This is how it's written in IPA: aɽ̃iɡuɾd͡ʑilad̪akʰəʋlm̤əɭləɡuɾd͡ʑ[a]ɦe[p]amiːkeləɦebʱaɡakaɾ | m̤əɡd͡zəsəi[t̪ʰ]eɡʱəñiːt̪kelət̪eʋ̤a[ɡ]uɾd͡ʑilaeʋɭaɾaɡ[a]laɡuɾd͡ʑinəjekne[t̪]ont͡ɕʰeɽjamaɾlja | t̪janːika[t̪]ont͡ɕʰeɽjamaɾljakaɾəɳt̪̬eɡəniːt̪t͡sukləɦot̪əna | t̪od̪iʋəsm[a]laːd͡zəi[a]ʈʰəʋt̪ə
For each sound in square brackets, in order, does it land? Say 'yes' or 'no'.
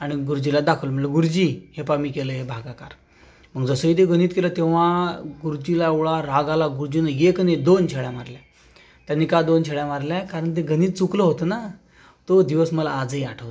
no, yes, no, yes, yes, no, no, no, yes

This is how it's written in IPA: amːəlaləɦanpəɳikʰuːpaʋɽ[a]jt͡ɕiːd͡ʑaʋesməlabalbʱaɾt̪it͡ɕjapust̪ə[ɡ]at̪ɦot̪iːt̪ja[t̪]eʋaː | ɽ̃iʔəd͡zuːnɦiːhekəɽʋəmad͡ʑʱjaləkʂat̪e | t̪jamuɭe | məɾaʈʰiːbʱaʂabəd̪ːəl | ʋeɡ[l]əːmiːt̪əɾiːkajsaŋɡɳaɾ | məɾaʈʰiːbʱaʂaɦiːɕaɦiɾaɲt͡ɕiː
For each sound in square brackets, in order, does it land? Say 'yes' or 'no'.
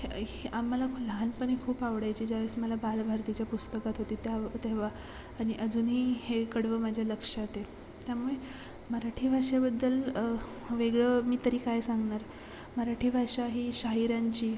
yes, no, yes, no

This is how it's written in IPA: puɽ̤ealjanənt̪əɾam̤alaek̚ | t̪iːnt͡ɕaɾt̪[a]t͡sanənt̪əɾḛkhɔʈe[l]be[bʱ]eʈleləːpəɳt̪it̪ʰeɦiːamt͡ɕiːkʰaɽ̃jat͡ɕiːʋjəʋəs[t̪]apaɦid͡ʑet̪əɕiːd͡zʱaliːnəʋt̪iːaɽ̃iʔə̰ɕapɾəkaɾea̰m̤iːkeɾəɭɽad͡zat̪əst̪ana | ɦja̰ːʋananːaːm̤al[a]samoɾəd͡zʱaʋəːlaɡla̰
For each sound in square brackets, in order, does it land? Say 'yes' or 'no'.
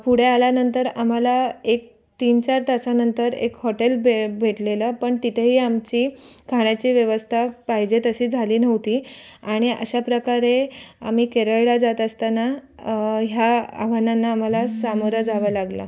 yes, yes, yes, no, yes

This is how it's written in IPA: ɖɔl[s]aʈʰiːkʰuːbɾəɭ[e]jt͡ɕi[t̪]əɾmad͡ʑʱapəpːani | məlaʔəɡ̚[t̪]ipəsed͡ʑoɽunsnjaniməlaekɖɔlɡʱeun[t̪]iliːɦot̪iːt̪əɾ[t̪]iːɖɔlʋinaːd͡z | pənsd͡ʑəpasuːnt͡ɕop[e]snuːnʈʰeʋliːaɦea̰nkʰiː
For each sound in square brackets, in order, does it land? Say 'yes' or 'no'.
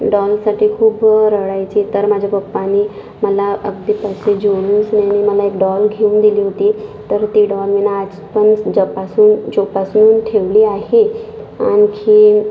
yes, no, yes, no, no, yes, no

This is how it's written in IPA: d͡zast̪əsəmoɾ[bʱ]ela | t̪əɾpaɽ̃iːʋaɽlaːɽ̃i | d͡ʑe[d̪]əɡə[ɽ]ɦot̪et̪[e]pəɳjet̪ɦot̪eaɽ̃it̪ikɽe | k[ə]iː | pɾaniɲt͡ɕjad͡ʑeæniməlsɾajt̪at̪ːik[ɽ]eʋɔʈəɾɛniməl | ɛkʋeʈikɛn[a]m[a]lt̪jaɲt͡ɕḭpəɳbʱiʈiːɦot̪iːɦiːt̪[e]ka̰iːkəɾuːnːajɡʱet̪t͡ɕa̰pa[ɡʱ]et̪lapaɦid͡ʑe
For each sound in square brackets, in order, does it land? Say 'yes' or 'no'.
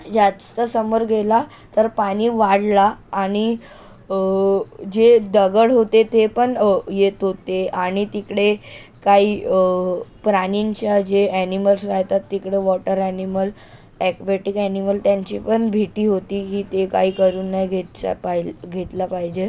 no, yes, yes, yes, no, yes, no, no, yes, yes

